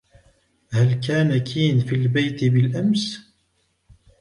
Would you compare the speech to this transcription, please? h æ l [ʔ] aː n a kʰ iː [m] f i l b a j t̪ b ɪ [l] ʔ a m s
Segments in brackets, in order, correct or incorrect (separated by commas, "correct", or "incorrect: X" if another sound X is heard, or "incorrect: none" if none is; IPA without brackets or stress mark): incorrect: k, incorrect: n, correct